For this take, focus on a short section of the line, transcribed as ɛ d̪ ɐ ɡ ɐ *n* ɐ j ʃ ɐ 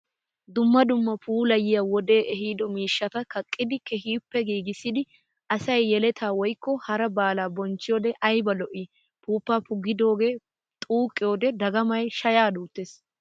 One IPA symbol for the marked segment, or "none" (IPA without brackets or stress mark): m